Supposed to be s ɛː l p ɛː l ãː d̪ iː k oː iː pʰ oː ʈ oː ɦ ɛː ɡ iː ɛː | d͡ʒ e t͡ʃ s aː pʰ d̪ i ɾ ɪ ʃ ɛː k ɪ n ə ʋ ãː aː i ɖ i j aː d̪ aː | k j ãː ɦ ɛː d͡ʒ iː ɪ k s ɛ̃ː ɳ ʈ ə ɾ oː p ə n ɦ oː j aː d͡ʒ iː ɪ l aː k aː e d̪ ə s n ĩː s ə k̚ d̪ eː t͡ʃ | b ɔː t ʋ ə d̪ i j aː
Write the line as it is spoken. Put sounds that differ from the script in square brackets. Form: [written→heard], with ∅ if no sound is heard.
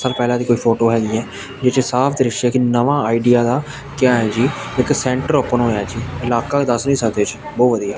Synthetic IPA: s [ɛː→aː] l p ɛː l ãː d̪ iː k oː iː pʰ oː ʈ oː ɦ ɛː ɡ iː ɛː | d͡ʒ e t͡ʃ s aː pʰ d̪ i ɾ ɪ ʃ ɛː k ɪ n ə ʋ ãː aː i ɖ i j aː d̪ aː | k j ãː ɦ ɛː d͡ʒ iː ɪ k s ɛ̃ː ɳ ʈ ə ɾ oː p ə n ɦ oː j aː d͡ʒ iː ɪ l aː k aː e d̪ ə s n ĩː s ə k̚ d̪ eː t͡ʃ | b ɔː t ʋ ə d̪ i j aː